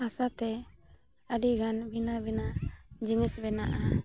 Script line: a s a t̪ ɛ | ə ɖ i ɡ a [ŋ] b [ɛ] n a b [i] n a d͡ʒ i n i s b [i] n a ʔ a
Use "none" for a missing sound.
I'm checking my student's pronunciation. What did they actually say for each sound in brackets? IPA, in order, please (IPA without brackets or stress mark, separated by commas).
n, i, i, ɛ